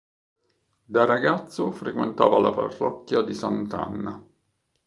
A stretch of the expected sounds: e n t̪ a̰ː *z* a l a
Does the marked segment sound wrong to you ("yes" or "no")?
yes